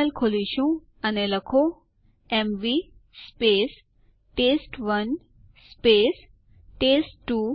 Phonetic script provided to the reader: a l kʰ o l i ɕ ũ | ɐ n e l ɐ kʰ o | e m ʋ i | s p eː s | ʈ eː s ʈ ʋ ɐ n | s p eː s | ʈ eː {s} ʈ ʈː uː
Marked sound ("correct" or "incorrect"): correct